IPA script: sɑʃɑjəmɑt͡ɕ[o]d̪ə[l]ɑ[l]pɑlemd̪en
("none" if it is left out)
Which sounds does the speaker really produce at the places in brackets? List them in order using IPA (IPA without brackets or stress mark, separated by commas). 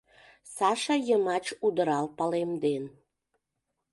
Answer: u, ɾ, l